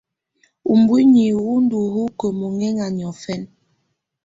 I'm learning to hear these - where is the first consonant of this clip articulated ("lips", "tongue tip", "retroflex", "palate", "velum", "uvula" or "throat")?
lips